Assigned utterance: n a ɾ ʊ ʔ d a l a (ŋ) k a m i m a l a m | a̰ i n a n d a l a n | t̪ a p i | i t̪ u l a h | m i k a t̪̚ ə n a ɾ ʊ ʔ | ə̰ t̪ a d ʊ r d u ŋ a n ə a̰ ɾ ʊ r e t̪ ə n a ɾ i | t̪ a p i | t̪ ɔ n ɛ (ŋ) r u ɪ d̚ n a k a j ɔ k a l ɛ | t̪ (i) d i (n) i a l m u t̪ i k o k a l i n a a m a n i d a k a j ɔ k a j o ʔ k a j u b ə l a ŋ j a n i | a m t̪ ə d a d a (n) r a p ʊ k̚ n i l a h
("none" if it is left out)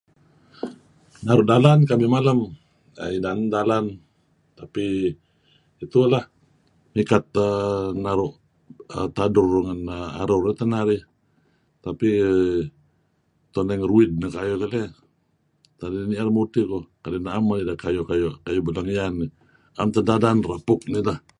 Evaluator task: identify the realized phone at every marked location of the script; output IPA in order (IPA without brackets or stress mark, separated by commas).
n, ŋ, a, n, n